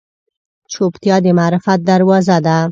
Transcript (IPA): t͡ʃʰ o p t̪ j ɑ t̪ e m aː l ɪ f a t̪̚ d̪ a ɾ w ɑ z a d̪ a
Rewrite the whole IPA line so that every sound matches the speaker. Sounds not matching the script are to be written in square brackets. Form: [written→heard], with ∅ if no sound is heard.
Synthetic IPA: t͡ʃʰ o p t̪ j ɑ [t̪→d̪] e m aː [l→ɾ] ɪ f a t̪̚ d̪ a ɾ w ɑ z a d̪ a